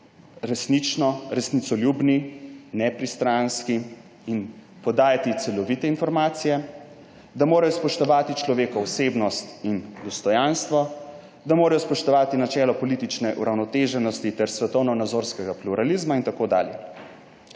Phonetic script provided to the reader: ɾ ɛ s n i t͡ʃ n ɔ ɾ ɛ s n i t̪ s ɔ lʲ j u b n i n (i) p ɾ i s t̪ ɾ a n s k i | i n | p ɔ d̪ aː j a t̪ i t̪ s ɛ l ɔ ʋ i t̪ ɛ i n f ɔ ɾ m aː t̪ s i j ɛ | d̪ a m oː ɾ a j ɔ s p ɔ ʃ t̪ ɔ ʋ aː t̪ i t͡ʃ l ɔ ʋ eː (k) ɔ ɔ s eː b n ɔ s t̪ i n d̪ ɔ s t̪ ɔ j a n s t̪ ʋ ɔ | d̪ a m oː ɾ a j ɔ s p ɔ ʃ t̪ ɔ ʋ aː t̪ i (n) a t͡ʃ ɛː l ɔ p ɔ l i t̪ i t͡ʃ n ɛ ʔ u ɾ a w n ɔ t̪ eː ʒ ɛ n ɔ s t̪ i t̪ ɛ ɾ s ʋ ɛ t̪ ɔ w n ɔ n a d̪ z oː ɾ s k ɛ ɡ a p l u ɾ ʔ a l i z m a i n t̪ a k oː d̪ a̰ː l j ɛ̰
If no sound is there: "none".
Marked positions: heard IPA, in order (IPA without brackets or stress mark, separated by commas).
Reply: ɛ, k, n